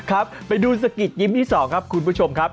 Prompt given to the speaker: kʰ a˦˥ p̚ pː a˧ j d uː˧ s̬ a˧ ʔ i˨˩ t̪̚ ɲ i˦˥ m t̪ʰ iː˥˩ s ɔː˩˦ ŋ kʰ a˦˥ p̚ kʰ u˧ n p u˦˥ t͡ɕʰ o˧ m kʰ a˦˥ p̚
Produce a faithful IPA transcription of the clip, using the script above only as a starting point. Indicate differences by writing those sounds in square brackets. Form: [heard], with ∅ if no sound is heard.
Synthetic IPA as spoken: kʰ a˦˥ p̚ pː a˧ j d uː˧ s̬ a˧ [k] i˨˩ t̪̚ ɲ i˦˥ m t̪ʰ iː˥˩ s ɔː˩˦ ŋ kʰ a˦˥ p̚ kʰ u˧ n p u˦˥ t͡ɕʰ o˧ m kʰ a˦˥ p̚

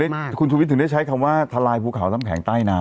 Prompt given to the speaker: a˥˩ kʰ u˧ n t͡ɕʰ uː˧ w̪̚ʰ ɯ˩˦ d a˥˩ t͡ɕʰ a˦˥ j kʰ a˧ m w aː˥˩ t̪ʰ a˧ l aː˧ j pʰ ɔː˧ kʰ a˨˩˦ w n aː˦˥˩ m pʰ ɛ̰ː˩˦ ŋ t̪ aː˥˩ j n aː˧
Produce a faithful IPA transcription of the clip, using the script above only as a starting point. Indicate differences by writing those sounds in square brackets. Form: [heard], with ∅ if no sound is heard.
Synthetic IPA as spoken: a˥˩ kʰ u˧ n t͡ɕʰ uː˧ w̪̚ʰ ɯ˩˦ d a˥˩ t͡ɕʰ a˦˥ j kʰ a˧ m w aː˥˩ t̪ʰ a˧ l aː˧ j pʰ [uː˧] kʰ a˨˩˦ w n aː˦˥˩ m [kʰ] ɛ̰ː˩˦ ŋ t̪ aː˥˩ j n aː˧

